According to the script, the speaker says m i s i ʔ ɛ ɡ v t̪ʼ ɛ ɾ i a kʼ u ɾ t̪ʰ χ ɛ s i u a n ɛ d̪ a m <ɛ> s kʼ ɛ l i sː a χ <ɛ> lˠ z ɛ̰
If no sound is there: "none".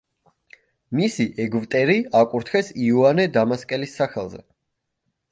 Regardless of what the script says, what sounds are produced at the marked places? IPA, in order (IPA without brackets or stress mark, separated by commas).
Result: a, ɛ